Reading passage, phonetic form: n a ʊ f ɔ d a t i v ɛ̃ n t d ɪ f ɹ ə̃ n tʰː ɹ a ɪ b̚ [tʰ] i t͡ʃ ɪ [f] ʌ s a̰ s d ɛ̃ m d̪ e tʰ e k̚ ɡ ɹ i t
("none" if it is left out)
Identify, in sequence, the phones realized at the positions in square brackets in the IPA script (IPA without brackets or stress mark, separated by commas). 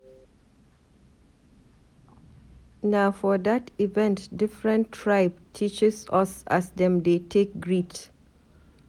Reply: tʰ, s